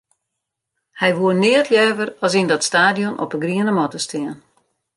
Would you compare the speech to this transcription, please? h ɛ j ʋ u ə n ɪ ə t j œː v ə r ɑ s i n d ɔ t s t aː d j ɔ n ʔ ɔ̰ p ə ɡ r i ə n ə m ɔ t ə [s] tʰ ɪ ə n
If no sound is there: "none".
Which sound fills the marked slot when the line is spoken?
s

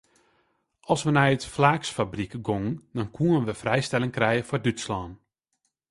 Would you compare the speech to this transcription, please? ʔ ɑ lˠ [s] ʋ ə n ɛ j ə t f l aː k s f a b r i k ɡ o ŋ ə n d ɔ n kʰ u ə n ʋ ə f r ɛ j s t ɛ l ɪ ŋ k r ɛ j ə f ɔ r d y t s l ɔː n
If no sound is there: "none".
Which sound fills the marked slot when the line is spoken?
s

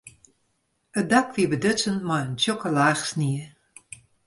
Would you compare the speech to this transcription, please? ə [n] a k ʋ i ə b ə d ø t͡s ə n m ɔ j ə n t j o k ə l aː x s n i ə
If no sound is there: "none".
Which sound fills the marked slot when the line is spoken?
d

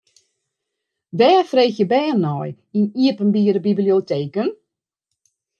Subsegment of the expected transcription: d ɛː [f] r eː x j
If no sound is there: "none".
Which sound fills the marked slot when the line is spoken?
f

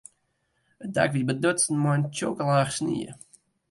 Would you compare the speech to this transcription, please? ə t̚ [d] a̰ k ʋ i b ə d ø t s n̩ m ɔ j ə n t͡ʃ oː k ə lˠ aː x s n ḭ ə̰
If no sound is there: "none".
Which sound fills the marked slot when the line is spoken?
d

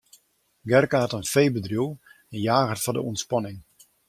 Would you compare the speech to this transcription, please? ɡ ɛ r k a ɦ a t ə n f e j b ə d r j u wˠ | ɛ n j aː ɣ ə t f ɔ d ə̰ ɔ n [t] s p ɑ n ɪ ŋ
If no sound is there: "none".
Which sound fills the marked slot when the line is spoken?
t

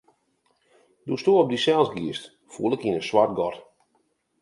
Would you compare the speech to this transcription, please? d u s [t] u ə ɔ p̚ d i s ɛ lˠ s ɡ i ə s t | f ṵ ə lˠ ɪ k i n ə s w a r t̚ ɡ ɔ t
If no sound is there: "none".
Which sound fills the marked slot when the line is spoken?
t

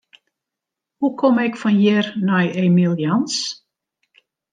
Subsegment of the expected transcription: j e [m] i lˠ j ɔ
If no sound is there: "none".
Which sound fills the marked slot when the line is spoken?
m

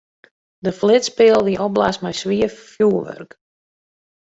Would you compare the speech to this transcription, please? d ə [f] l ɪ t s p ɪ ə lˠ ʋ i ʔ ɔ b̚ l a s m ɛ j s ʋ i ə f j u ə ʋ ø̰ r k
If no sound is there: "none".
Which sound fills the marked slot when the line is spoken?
f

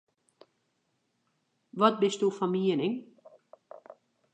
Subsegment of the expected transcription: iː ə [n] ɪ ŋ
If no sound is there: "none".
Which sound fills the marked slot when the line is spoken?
n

